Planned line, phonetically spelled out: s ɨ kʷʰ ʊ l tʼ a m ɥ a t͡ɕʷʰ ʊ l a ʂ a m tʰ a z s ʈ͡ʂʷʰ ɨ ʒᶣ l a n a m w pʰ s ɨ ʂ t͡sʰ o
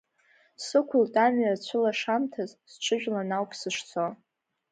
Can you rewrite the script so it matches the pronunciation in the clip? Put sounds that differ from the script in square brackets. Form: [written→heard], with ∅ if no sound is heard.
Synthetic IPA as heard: s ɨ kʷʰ ʊ l tʼ a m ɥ a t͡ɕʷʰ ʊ l a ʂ a m tʰ a z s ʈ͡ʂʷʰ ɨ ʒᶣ l a n a [m→∅] w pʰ s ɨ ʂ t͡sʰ o